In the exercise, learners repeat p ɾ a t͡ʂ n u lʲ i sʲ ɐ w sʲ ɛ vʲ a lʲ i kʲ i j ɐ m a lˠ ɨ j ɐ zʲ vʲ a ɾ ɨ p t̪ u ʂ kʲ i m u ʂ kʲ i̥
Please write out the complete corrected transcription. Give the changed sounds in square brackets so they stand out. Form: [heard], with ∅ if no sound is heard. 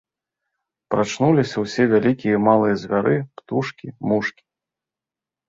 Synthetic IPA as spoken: p ɾ a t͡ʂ n u lʲ i sʲ ɐ w sʲ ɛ vʲ a lʲ i kʲ i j ɐ m a lˠ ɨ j ɐ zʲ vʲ a ɾ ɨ p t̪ u ʂ kʲ i m u ʂ kʲ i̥